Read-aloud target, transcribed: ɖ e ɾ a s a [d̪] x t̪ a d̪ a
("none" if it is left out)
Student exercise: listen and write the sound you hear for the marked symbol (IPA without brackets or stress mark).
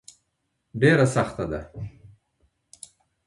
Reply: none